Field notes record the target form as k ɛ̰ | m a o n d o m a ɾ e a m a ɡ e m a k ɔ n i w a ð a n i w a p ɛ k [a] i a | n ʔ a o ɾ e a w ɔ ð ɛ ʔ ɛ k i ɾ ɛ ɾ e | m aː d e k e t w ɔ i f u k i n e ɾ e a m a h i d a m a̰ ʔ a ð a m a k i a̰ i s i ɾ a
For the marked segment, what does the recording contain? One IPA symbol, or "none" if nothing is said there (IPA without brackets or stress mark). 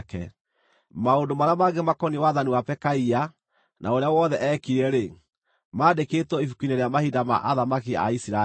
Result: a